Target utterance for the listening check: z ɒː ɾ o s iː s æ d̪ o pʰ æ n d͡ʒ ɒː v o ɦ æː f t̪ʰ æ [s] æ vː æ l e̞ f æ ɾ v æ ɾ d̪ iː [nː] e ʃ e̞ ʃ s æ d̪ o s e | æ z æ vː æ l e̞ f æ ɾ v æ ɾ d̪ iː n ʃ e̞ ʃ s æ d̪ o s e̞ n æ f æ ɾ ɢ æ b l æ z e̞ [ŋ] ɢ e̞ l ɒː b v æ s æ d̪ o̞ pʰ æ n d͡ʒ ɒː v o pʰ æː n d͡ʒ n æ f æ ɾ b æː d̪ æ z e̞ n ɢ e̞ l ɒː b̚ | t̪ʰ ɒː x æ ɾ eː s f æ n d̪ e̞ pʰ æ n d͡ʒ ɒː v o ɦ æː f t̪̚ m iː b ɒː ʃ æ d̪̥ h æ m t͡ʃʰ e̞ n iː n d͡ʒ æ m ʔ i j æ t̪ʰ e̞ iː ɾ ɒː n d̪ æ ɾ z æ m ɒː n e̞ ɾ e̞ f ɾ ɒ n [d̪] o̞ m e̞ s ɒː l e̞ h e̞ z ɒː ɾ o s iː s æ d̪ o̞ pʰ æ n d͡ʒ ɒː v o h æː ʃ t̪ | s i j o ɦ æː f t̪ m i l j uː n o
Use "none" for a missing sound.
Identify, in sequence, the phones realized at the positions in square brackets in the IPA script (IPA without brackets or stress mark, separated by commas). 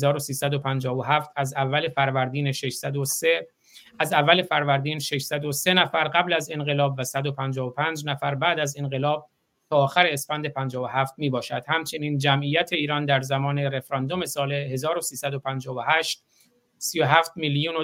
z, n, n, d̪